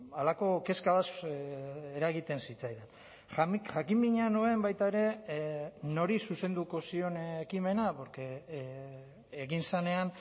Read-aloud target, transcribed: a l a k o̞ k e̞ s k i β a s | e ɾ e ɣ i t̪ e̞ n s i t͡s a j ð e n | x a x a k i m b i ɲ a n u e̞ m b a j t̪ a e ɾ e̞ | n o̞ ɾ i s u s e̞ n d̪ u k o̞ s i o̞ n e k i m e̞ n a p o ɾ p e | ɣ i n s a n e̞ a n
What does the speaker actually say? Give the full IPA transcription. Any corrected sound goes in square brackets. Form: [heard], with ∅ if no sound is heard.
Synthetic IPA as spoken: a l a k o̞ k e̞ s k [a] β a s | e ɾ [a] ɣ i t̪ e̞ n s i t͡s a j ð e n | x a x a k i m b i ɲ a n u e̞ m b a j t̪ a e ɾ e̞ | n o̞ ɾ i s u s e̞ n d̪ u k o̞ s i o̞ n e k i m e̞ n a p o ɾ [k] e | ɣ i n s a n e̞ a n